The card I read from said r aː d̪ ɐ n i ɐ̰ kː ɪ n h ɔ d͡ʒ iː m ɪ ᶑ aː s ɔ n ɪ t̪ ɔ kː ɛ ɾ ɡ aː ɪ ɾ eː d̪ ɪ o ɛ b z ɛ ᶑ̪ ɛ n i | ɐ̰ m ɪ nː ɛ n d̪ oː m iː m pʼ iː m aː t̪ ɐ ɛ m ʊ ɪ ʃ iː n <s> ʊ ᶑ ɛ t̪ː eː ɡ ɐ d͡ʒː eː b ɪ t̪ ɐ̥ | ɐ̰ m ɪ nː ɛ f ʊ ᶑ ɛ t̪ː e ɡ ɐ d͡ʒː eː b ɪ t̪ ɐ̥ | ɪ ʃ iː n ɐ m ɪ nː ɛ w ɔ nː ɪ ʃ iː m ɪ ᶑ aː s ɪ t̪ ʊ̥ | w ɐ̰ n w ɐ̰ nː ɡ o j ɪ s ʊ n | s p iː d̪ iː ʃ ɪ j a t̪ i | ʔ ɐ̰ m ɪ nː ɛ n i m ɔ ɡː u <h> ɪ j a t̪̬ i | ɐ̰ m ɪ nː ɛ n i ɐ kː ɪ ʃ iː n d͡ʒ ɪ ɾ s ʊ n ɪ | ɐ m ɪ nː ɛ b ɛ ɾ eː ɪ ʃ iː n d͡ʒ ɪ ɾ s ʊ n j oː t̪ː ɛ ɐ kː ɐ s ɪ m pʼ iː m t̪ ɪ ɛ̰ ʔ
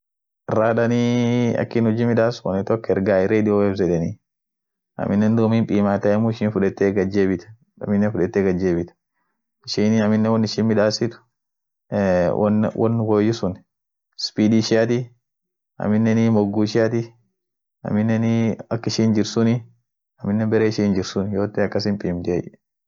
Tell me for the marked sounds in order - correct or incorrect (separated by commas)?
incorrect, incorrect